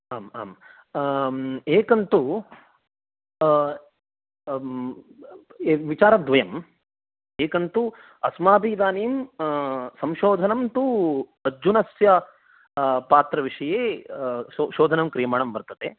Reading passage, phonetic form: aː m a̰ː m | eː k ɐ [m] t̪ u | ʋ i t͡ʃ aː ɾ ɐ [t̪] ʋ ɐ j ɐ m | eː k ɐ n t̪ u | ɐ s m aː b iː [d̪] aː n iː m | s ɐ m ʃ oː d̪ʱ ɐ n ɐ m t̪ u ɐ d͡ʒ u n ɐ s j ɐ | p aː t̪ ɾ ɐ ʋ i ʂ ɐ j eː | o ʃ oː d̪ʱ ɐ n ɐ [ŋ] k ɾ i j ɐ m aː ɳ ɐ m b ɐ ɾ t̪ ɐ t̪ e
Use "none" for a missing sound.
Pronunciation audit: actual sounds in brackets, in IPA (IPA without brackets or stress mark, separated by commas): n, d̪, d̪, m